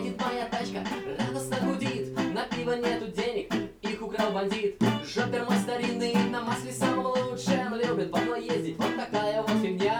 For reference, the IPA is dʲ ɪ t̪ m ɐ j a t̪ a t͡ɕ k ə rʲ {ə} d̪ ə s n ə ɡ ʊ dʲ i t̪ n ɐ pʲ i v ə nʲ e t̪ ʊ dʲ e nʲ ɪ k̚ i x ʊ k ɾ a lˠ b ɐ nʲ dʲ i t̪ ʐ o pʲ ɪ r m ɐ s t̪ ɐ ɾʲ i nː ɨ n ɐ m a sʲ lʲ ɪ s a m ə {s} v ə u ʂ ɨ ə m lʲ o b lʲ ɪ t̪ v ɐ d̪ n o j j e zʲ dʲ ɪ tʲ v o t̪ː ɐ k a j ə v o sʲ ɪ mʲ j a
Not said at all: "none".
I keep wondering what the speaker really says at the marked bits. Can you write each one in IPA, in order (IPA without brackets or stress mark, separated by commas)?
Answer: a, none